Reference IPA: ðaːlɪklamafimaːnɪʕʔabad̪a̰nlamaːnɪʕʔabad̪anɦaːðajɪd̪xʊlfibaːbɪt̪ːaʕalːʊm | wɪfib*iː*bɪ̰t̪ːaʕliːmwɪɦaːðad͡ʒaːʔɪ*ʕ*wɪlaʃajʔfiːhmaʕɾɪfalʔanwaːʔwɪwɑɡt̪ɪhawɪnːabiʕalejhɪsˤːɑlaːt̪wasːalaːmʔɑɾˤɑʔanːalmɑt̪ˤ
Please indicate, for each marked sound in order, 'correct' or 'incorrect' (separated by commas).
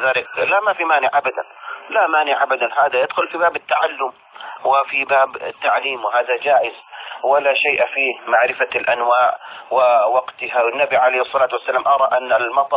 incorrect, incorrect